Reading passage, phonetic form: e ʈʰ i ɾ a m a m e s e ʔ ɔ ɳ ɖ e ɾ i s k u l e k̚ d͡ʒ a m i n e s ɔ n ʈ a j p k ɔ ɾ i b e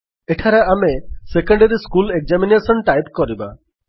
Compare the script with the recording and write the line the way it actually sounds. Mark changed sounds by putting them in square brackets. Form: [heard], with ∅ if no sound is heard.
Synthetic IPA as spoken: e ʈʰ [a] ɾ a [∅] a m e s e [k] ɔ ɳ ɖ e ɾ i s k u l e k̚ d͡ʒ a m i n e s ɔ n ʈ a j p k ɔ ɾ i b [a]